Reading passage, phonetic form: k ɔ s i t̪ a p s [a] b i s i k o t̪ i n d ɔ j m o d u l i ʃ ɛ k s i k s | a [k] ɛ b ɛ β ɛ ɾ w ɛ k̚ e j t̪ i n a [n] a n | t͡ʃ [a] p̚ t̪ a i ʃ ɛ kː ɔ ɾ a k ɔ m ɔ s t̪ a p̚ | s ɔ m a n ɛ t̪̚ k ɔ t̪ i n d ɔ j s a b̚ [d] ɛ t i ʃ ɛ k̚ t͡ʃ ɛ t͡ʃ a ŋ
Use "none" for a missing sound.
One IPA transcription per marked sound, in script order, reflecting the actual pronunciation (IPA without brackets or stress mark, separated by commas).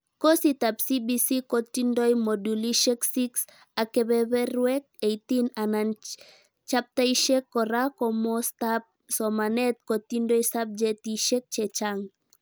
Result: i, k, n, a, d͡ʒ